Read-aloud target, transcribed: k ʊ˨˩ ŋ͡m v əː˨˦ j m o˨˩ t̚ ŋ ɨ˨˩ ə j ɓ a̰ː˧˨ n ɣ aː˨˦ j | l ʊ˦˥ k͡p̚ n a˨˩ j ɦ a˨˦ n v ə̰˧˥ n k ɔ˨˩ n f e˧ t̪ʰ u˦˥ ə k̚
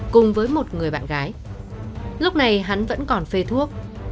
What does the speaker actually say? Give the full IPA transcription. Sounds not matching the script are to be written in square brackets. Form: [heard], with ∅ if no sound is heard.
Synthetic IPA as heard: k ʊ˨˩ ŋ͡m v əː˨˦ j m o˨˩ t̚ ŋ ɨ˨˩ ə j ɓ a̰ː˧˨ n ɣ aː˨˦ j | l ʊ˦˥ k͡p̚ n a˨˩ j ɦ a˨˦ n v ə̰˧˥ n k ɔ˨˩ n f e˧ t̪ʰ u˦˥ ə k̚